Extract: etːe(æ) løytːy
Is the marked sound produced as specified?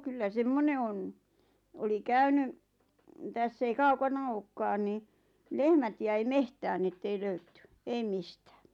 no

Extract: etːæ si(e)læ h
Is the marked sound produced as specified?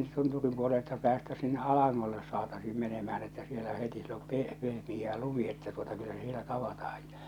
yes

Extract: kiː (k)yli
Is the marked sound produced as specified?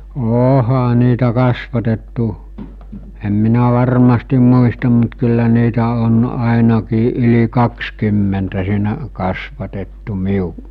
no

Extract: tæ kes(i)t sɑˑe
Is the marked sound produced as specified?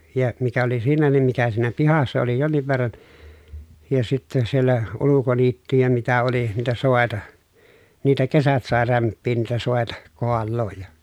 no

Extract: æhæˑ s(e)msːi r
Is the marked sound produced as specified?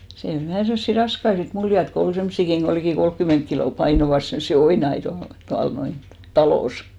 yes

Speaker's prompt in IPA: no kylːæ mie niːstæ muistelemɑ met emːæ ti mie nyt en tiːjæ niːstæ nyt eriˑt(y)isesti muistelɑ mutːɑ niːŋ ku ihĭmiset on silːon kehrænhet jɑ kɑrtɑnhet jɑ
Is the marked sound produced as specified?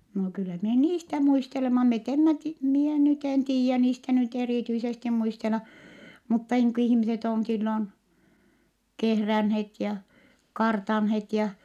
yes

